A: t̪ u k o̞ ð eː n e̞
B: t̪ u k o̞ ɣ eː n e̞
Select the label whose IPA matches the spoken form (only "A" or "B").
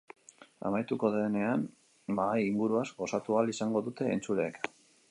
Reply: A